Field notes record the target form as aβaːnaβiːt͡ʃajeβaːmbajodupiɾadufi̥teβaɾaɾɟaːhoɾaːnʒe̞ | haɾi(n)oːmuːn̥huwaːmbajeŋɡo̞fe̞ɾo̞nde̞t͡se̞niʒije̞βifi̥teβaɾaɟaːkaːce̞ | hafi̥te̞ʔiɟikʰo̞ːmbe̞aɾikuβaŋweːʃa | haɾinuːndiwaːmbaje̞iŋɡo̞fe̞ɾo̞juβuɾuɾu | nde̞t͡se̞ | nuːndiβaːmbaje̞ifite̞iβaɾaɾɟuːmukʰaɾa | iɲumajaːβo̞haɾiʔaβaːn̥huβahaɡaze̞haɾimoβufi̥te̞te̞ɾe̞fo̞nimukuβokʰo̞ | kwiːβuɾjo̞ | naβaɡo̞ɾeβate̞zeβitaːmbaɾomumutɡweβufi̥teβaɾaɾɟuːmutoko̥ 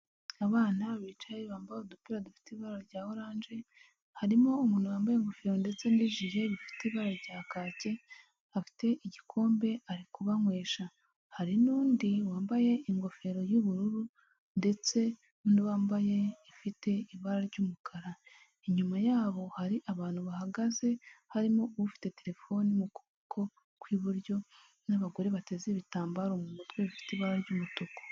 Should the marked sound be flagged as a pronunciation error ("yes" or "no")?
yes